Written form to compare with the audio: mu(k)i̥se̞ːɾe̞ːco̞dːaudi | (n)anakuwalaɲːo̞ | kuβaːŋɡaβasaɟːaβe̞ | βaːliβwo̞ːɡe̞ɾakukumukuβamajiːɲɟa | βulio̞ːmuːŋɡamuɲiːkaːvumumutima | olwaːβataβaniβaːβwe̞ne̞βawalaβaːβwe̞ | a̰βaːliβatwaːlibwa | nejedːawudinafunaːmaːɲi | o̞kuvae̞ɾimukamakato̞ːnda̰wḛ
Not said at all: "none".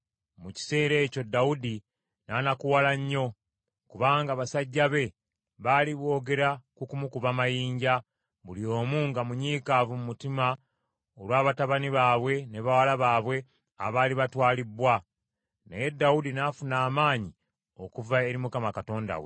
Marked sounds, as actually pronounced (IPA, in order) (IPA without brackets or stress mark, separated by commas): c, n